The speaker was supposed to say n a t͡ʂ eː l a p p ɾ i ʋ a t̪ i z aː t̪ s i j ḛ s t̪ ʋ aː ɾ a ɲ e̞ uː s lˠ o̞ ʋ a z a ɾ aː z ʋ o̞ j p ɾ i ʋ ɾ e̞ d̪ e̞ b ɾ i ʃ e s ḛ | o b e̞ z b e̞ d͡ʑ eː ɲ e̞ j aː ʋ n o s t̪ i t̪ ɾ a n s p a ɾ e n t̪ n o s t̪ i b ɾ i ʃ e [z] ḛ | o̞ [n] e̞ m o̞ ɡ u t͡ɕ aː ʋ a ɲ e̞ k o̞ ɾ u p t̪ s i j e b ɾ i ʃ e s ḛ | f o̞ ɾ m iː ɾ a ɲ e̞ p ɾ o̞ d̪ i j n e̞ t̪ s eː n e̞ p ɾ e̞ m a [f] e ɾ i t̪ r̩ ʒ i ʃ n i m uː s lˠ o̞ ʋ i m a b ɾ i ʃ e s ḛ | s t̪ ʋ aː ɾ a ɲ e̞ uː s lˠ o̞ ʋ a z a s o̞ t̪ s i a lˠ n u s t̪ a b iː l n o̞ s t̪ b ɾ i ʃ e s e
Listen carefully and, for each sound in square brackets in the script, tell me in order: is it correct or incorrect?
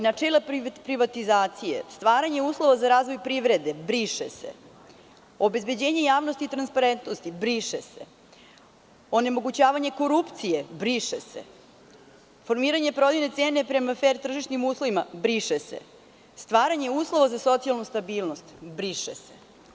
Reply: incorrect: s, correct, correct

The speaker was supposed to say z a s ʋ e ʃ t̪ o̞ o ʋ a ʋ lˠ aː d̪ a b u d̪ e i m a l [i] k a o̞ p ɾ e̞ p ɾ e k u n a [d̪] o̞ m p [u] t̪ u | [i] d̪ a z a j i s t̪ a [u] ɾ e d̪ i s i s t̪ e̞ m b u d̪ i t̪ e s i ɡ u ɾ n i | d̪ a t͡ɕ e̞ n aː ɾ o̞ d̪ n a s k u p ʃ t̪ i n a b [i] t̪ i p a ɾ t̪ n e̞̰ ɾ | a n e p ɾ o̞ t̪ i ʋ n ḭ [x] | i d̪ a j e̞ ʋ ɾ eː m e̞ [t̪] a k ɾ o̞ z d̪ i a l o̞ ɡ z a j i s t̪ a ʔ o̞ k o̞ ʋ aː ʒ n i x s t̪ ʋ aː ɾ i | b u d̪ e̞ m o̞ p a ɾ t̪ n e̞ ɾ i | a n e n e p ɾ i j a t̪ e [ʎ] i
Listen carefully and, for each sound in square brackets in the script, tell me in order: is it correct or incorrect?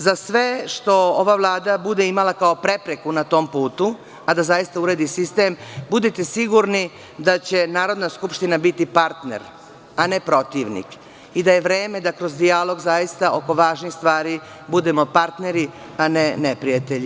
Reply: incorrect: a, incorrect: t̪, incorrect: uː, incorrect: a, correct, correct, incorrect: k, incorrect: d̪, correct

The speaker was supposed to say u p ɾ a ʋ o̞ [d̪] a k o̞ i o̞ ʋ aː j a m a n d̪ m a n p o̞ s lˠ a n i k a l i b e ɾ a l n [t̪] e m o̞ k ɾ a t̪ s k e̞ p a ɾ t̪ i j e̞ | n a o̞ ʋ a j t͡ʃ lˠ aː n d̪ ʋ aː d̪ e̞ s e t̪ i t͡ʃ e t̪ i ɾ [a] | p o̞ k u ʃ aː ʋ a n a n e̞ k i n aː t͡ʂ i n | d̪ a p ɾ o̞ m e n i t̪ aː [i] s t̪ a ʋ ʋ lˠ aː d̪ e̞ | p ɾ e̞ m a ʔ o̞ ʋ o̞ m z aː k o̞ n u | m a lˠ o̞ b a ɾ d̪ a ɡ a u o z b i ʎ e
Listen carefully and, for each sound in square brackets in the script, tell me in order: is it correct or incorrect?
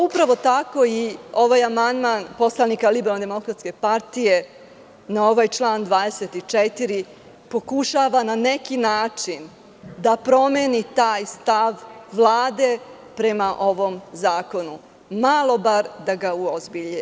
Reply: incorrect: t̪, incorrect: d̪, incorrect: i, incorrect: j

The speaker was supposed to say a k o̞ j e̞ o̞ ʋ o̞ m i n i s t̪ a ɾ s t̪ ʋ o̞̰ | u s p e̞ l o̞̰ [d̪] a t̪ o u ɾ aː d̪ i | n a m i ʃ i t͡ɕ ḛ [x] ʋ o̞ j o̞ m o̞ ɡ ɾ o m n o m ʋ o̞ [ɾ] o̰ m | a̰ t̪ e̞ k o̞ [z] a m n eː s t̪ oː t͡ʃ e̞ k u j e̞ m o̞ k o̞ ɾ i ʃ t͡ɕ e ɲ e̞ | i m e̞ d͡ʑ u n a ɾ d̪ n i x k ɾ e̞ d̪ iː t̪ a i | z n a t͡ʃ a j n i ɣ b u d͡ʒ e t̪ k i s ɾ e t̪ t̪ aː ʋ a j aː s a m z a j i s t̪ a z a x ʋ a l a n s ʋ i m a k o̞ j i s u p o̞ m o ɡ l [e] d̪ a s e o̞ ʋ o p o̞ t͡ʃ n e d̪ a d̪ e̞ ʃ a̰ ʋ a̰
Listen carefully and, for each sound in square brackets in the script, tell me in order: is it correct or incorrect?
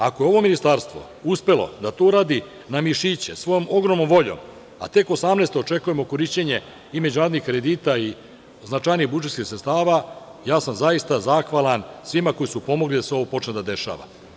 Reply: correct, incorrect: s, incorrect: ʎ, incorrect: s, incorrect: i

